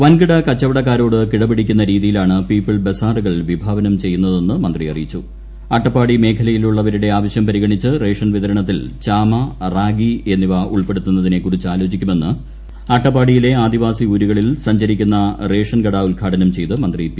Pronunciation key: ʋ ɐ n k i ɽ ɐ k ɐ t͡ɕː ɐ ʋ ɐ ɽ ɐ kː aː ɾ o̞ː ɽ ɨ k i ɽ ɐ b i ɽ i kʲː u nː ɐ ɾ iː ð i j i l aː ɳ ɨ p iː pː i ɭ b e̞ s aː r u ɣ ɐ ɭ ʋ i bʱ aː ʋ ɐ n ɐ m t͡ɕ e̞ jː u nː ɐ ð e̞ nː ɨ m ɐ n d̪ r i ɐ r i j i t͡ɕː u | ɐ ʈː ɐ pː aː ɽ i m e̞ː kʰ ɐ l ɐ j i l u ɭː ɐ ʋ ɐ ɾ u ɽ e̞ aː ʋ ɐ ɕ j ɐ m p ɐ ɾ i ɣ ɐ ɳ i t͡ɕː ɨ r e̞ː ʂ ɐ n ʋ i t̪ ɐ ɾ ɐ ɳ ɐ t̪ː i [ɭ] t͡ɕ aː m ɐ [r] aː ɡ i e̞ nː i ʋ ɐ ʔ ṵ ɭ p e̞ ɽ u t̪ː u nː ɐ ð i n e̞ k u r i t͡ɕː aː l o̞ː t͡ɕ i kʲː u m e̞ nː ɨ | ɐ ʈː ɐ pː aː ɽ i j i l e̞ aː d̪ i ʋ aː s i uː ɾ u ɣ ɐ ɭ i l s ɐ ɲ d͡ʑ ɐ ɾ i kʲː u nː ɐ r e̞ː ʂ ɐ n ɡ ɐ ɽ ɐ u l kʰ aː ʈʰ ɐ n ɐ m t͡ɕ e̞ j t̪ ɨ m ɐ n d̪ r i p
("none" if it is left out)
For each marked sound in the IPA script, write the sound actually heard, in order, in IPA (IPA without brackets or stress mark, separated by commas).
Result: l, r